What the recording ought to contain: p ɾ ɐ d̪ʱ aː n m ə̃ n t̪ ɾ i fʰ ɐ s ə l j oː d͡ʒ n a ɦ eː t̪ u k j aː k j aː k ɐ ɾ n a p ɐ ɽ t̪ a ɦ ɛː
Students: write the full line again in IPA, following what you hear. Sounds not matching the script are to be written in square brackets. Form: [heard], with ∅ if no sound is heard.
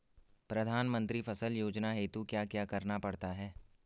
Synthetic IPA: p ɾ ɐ d̪ʱ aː n m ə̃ n t̪ ɾ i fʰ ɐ s ə l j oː d͡ʒ n a ɦ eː t̪ u k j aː k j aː k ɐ ɾ n a p ɐ ɽ t̪ a ɦ ɛː